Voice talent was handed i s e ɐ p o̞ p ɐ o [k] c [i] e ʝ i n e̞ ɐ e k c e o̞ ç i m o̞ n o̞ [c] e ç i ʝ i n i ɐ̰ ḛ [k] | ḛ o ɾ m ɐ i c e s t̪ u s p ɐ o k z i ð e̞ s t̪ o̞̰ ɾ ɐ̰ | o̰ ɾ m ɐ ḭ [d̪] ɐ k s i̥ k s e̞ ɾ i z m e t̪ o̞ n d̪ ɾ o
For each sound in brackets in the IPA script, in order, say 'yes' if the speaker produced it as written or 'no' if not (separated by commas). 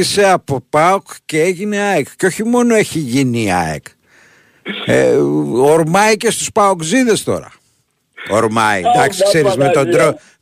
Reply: yes, no, no, yes, yes